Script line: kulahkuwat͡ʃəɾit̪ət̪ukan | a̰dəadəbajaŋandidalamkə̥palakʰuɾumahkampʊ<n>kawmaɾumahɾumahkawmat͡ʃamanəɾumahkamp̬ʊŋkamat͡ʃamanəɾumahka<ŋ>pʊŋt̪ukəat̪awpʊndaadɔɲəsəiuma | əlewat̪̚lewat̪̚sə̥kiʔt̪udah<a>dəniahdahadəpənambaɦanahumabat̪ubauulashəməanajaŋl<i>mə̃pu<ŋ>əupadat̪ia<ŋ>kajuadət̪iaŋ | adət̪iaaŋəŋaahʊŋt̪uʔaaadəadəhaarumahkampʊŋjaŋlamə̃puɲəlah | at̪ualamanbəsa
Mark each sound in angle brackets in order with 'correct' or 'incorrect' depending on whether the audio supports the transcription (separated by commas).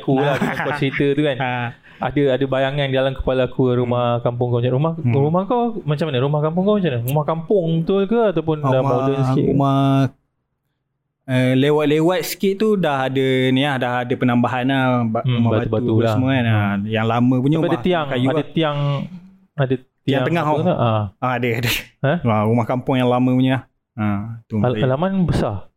incorrect, incorrect, correct, incorrect, incorrect, correct